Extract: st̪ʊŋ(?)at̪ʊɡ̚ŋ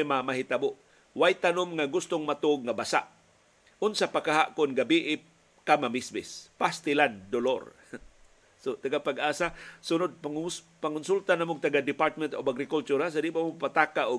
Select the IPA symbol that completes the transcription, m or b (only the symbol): m